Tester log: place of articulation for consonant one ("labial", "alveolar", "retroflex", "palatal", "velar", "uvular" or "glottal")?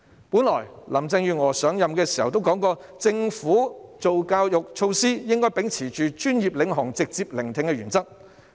labial